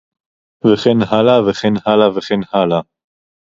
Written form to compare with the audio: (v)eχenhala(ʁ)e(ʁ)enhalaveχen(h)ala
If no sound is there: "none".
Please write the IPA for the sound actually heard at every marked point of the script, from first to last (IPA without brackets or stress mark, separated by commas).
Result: v, v, χ, h